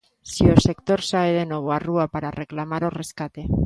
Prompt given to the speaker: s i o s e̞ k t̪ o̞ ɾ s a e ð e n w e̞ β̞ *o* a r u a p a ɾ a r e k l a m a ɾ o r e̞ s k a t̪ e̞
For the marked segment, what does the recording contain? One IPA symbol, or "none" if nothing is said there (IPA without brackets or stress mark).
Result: o